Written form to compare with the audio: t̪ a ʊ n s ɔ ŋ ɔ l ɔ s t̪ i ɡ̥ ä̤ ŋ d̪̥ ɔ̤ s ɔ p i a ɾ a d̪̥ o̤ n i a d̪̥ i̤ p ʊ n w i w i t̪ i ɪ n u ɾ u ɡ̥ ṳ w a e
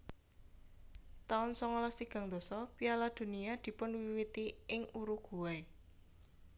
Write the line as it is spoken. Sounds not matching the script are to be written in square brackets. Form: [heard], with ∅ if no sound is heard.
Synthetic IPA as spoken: t̪ a ʊ n s ɔ ŋ ɔ l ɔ s t̪ i ɡ̥ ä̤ ŋ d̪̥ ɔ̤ s ɔ p i a [l] a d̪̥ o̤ n i a d̪̥ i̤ p ʊ n w i w i t̪ i ɪ [ŋ] u ɾ u ɡ̥ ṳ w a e